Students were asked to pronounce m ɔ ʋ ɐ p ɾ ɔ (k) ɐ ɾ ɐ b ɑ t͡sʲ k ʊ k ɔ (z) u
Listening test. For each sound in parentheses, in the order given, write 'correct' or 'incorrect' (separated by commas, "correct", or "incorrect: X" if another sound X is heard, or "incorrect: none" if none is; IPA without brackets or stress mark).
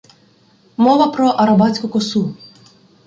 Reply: incorrect: ʔ, incorrect: s